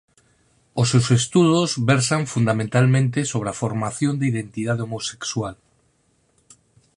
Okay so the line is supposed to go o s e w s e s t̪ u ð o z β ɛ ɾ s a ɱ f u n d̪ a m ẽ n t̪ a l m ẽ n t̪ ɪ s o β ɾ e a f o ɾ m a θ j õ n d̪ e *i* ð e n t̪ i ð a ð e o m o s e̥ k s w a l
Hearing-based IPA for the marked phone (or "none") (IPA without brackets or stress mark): i